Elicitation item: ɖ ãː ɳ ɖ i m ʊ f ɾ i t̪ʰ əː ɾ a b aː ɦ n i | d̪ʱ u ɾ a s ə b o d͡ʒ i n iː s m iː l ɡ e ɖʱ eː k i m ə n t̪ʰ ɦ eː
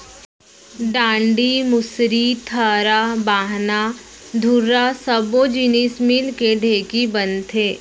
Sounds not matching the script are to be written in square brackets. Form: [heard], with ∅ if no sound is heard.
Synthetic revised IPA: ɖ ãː ɳ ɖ i m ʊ [s] ɾ i t̪ʰ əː ɾ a b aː ɦ n [a] | d̪ʱ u ɾ a s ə b o d͡ʒ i n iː s m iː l [k] e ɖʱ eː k i [b] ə n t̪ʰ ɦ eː